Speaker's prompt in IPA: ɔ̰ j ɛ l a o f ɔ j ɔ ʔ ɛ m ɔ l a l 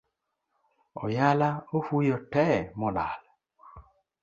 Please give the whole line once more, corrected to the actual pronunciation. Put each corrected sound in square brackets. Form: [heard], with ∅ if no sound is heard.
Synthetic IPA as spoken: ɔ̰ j [a] l a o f [u] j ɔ [t] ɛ m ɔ l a l